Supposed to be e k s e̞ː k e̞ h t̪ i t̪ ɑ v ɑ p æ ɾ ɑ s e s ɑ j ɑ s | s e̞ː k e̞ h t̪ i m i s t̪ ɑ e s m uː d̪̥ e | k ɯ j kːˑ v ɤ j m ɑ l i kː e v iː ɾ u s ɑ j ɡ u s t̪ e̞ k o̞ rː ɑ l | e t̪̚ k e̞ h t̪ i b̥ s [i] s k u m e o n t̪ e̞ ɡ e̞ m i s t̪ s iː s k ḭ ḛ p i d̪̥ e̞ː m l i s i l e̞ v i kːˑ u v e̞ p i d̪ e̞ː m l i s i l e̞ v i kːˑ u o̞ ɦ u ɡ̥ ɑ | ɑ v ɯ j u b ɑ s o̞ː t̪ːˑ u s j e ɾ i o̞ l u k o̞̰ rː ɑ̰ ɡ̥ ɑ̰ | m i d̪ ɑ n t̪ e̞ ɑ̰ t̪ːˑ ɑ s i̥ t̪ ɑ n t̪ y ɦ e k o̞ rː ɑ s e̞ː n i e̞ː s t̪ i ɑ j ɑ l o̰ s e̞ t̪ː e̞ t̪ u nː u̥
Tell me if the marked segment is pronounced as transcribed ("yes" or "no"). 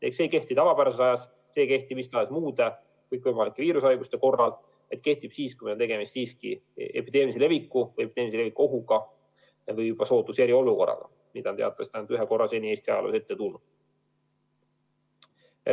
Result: no